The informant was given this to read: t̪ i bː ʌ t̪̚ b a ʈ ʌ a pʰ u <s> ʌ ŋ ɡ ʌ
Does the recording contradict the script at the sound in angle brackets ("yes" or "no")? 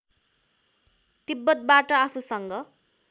no